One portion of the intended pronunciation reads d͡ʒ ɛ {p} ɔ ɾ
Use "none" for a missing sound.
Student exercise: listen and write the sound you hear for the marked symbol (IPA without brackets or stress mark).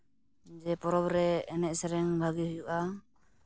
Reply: p